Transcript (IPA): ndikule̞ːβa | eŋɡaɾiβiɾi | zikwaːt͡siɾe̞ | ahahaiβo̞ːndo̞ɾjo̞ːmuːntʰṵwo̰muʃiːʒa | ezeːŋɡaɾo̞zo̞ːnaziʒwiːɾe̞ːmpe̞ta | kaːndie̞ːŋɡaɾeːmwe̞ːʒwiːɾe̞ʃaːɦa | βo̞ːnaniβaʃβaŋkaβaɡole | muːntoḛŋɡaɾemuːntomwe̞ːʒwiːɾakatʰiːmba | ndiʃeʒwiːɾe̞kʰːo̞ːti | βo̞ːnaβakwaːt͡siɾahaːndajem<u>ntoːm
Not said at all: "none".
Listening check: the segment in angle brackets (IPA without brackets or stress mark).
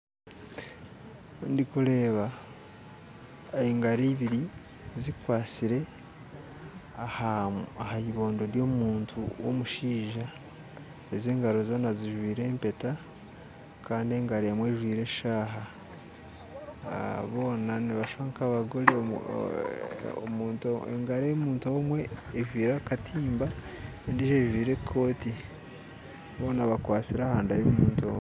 uː